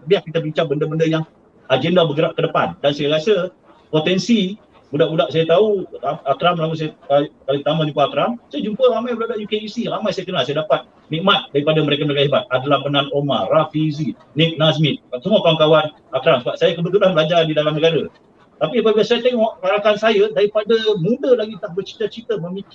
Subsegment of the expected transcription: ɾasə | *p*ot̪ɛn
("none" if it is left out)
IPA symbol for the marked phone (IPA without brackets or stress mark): p